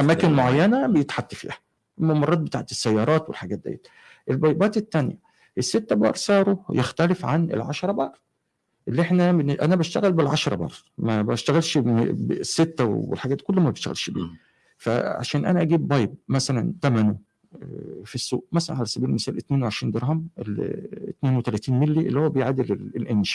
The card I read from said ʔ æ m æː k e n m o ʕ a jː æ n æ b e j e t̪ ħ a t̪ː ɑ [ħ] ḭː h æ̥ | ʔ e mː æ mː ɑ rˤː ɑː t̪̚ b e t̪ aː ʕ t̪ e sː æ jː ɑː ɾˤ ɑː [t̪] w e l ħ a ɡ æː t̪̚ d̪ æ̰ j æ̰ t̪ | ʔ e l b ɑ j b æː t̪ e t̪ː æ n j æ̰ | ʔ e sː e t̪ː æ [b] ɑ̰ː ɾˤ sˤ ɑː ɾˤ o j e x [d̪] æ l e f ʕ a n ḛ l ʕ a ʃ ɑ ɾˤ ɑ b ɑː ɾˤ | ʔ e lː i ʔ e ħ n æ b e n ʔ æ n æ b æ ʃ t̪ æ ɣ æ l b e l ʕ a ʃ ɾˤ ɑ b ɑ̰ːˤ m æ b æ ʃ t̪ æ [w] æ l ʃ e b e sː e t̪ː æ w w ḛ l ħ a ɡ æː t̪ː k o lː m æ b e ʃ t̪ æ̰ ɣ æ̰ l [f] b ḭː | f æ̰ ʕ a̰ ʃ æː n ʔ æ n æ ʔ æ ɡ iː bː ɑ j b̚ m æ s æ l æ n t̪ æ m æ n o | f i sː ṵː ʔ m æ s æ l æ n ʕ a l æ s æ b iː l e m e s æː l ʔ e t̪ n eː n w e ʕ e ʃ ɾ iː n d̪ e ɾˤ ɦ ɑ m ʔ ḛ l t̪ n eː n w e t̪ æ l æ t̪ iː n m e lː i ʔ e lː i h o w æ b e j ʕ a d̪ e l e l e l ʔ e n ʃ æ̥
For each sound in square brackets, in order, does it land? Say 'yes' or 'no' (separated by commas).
no, yes, yes, no, no, no